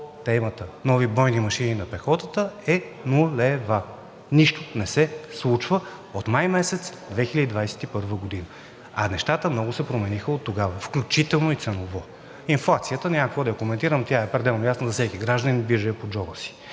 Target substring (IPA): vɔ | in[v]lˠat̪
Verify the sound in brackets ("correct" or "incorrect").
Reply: incorrect